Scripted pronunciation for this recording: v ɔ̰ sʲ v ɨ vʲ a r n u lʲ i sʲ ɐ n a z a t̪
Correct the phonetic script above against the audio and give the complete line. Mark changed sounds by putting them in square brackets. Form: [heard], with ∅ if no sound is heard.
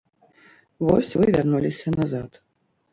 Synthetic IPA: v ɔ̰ sʲ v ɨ vʲ a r n u lʲ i sʲ ɐ n a z a t̪